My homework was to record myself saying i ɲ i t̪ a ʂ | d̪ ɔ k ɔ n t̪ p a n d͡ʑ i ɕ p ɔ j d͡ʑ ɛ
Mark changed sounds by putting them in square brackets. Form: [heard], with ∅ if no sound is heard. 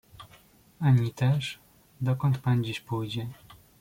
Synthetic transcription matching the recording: [a] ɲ i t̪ [ɛ] ʂ | d̪ ɔ k ɔ n t̪ p a n d͡ʑ i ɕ p [u] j d͡ʑ ɛ